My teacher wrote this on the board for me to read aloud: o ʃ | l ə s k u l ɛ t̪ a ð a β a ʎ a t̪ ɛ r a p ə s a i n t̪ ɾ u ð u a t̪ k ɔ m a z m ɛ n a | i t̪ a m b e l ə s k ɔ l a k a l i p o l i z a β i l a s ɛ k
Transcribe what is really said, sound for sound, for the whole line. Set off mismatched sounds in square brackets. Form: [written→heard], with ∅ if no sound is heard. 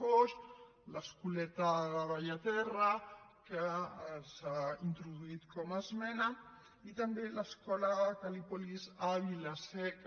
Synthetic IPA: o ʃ | l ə s k u l ɛ t̪ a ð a β a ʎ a t̪ ɛ r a [p→k] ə s a i n t̪ ɾ u ð u [a→i] t̪ k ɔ m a z m ɛ n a | i t̪ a m b e l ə s k ɔ l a k a l i p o l i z a β i l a s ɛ k

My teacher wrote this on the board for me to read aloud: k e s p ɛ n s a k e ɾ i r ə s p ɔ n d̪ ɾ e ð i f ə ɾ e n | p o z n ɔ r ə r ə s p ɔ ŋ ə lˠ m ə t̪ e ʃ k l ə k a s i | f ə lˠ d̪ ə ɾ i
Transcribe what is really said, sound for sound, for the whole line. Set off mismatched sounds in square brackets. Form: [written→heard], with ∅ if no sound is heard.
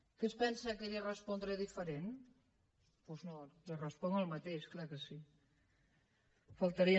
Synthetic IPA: k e s p ɛ n s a k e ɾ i r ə s p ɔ n d̪ ɾ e ð i f ə ɾ e n | p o z n [ɔ→o] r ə r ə s p ɔ ŋ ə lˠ m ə t̪ e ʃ k l [ə→a] k [a→ə] s i | f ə lˠ [d̪→t̪] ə ɾ i

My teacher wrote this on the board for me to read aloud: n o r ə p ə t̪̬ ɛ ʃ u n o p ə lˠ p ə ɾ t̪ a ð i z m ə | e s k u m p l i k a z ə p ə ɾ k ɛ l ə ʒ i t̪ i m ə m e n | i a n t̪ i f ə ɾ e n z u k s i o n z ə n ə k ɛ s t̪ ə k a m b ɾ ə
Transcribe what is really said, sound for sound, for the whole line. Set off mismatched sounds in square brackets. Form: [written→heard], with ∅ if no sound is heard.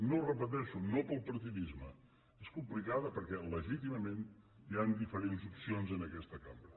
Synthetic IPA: n o r ə p ə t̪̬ ɛ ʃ u n o p ə lˠ p ə ɾ t̪ [a→i] ð i z m ə | e s k u m p l i k a [z→ð] ə p ə ɾ k ɛ l ə ʒ i t̪ i m ə m e n | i a n [t̪→d̪] i f ə ɾ e n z u [k→p] s i o n z ə n ə k ɛ s t̪ ə k a m b ɾ ə

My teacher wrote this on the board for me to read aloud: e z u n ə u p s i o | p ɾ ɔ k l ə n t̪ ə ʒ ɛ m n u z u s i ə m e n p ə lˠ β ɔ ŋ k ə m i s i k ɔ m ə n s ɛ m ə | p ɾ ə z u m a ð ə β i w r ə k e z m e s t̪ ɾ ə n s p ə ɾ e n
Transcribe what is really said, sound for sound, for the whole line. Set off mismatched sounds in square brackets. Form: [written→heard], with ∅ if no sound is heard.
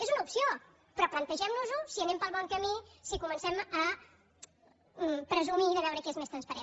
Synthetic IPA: e z u n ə u p s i o | p ɾ ɔ [k→p] l ə n t̪ ə ʒ ɛ m n u z u s i ə [m→n] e [n→m] p ə lˠ β ɔ ŋ k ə m i s i k [ɔ→u] m ə n s ɛ m ə | p ɾ ə z u m [a→i] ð ə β [i→ɛ] w [r→ɾ] ə k e z m e s t̪ ɾ ə n s p ə ɾ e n

